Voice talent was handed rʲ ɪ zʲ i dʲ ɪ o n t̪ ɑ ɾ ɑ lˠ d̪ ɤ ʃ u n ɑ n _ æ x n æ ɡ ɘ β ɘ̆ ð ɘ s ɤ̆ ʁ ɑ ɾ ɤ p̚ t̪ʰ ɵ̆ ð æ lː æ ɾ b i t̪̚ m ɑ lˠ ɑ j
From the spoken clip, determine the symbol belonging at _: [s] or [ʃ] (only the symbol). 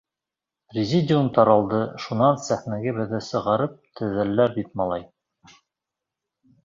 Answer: s